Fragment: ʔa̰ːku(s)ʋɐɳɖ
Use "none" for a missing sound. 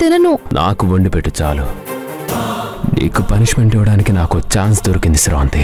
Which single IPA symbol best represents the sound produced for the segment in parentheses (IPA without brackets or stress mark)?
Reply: none